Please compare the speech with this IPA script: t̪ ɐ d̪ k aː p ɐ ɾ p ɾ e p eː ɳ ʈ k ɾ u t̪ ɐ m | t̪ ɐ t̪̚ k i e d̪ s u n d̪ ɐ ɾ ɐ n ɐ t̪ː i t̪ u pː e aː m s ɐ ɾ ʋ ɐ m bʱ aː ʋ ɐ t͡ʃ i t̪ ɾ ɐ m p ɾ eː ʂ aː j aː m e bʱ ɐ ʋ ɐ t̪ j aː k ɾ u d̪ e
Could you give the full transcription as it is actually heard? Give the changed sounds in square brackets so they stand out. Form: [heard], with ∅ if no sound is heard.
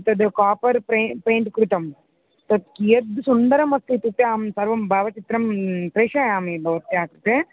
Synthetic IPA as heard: t̪ ɐ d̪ k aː p ɐ ɾ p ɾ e p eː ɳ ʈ k ɾ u t̪ ɐ m | t̪ ɐ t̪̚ k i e d̪ s u n d̪ ɐ ɾ ɐ [m] ɐ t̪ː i t̪ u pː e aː m s ɐ ɾ ʋ ɐ m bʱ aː ʋ ɐ t͡ʃ i t̪ ɾ ɐ m p ɾ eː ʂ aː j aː m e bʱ ɐ ʋ ɐ t̪ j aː k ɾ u [t̪] e